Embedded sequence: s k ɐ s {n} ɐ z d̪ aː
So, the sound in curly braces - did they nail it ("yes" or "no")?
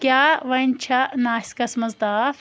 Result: no